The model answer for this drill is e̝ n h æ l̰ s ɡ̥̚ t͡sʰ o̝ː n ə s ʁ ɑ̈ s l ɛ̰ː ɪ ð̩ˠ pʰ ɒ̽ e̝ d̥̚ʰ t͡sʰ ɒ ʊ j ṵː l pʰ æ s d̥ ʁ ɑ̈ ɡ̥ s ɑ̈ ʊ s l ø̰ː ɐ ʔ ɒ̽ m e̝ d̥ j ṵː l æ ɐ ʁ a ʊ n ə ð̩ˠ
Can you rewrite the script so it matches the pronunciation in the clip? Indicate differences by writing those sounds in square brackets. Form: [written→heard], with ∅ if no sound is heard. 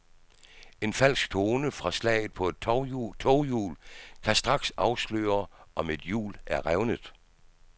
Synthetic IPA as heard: e̝ n [h→f] æ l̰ s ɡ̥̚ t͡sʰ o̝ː n ə [s→f] ʁ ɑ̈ s l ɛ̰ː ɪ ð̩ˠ pʰ ɒ̽ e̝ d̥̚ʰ t͡sʰ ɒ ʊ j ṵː l [pʰ→kʰ] æ s d̥ ʁ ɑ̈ ɡ̥ s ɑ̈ ʊ s l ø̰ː ɐ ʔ ɒ̽ m e̝ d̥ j ṵː l æ ɐ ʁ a ʊ n ə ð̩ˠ

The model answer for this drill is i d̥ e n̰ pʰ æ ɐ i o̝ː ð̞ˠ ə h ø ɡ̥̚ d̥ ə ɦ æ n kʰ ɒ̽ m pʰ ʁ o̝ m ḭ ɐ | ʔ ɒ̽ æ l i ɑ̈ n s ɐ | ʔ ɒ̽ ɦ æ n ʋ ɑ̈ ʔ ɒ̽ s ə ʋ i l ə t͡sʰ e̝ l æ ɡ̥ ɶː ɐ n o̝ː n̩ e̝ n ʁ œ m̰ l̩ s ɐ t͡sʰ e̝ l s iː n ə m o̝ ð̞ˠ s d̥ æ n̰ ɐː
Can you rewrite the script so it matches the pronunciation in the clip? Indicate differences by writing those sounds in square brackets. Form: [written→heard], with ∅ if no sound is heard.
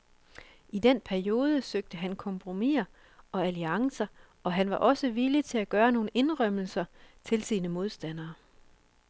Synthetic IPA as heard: i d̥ e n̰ pʰ æ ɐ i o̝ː ð̞ˠ ə [h→s] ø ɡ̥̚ d̥ ə ɦ æ n kʰ ɒ̽ m pʰ ʁ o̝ m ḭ ɐ | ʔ ɒ̽ æ l i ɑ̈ [n→ŋ] s ɐ | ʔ ɒ̽ ɦ æ n ʋ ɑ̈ ʔ ɒ̽ s ə ʋ i l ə t͡sʰ e̝ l æ ɡ̥ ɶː ɐ n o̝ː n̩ e̝ n ʁ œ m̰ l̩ s ɐ t͡sʰ e̝ l s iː n ə m o̝ ð̞ˠ s d̥ æ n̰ ɐː

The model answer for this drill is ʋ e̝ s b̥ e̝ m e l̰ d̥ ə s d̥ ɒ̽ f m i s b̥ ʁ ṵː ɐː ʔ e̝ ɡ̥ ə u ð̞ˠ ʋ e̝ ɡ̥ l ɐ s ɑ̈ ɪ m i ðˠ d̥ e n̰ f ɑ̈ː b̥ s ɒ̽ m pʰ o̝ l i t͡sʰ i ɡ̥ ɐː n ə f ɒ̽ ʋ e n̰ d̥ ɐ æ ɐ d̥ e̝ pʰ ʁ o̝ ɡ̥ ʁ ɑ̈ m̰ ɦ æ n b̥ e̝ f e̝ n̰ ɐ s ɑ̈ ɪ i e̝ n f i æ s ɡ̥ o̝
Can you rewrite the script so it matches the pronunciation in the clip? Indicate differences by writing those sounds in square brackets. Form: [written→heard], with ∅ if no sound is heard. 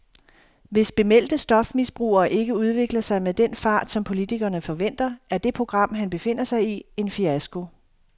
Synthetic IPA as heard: ʋ e̝ s b̥ e̝ m e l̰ d̥ ə s d̥ ɒ̽ f m i s b̥ ʁ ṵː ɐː ʔ e̝ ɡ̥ ə u ð̞ˠ ʋ e̝ ɡ̥ l ɐ s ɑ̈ ɪ m [i→e] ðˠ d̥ e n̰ f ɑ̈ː [b̥→d̥] s ɒ̽ m pʰ o̝ l i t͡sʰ i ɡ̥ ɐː n ə f ɒ̽ ʋ e n̰ d̥ ɐ æ ɐ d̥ e̝ pʰ ʁ o̝ ɡ̥ ʁ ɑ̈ m̰ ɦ æ n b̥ e̝ f e̝ n̰ ɐ s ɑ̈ ɪ i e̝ n f i æ s ɡ̥ o̝

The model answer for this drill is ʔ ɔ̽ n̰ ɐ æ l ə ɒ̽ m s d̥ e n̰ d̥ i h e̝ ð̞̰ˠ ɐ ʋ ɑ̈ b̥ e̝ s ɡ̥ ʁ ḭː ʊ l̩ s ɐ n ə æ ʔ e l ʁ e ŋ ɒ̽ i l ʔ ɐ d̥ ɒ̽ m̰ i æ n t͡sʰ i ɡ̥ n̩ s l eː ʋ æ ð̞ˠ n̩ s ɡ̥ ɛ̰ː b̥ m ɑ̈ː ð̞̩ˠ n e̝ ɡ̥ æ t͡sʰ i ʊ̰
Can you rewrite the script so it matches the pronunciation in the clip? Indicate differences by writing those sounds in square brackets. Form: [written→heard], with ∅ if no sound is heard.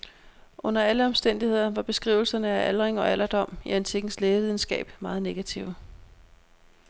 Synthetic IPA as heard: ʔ ɔ̽ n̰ ɐ æ l ə ɒ̽ m s d̥ e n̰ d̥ i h e̝ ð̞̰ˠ ɐ ʋ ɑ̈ b̥ e̝ s ɡ̥ ʁ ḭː ʊ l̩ s ɐ n ə æ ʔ [e→æ] l ʁ e ŋ ɒ̽ [i→æ] l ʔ ɐ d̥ ɒ̽ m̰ i æ n t͡sʰ i ɡ̥ n̩ s l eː ʋ [æ→i] ð̞ˠ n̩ s ɡ̥ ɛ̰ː b̥ m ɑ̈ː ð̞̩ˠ n e̝ ɡ̥ æ t͡sʰ i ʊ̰

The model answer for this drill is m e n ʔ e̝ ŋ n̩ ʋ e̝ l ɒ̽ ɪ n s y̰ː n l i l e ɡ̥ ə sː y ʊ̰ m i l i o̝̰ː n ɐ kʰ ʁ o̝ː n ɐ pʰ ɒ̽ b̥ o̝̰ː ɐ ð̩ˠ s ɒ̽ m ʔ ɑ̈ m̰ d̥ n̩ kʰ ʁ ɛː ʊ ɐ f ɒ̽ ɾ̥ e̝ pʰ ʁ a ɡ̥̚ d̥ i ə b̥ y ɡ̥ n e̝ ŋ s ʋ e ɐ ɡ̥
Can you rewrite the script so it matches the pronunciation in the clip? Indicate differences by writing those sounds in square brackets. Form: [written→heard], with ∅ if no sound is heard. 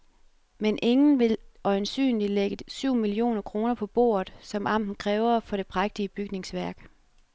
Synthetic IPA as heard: m e n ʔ e̝ ŋ n̩ ʋ e̝ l ɒ̽ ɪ n s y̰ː n l i l e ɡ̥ ə [sː→s] y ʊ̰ m i l i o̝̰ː n ɐ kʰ ʁ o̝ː n ɐ pʰ ɒ̽ b̥ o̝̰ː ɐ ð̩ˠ s ɒ̽ m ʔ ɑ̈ m̰ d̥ n̩ kʰ ʁ ɛː ʊ ɐ f ɒ̽ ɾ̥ e̝ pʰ ʁ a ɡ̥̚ d̥ i ə b̥ y ɡ̥ n e̝ ŋ s ʋ [e→æ] ɐ ɡ̥

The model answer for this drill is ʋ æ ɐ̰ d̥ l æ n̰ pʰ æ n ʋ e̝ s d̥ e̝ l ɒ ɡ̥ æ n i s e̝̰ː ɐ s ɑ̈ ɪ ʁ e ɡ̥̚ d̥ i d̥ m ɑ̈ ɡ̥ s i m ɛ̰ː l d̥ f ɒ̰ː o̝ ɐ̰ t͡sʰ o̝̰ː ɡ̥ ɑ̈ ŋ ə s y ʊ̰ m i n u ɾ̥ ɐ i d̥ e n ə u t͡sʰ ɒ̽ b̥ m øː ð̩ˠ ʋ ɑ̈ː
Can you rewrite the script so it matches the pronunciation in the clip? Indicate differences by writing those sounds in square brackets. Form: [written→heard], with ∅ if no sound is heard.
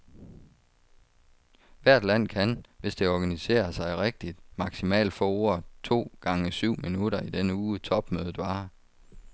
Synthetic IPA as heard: ʋ æ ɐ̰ d̥ l æ n̰ [pʰ→kʰ] æ n ʋ e̝ s d̥ e̝ [l→∅] ɒ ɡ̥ æ n i s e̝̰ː ɐ s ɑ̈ ɪ ʁ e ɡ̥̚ d̥ i d̥ m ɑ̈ ɡ̥ s i m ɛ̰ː l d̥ f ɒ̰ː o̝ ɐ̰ t͡sʰ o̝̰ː ɡ̥ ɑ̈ ŋ ə s y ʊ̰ m i n u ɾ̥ ɐ i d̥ e n ə [u→uː] t͡sʰ ɒ̽ b̥ m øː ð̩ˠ ʋ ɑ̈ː

